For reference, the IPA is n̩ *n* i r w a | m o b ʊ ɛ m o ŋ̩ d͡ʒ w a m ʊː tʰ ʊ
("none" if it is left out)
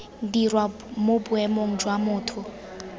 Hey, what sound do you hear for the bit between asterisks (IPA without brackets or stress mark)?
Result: d